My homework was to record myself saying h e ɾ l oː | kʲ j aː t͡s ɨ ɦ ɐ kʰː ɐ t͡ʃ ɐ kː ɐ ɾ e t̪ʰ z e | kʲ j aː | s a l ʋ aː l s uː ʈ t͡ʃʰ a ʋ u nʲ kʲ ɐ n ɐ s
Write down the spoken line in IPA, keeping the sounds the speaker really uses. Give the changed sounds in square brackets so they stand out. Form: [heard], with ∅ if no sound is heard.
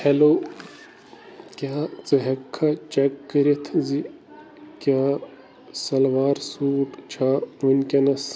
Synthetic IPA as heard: h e [∅] l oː | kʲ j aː t͡s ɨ ɦ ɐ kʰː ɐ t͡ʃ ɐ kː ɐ ɾ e t̪ʰ z [i] | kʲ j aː | s [ɐ] l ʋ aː [ɾ] s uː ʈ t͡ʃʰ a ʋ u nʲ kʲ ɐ n ɐ s